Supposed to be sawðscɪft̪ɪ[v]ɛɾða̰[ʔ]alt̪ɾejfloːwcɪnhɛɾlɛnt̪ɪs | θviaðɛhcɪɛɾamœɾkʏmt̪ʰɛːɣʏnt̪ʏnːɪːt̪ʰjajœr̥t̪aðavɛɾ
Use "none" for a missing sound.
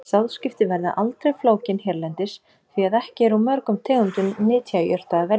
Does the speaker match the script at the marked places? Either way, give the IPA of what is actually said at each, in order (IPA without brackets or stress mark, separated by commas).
v, ʔ